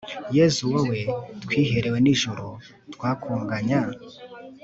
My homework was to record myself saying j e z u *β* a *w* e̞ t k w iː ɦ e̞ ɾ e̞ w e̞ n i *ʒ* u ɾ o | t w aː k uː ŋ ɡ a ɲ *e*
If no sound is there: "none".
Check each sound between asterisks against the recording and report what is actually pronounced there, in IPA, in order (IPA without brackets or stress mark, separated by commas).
w, w, ʒ, a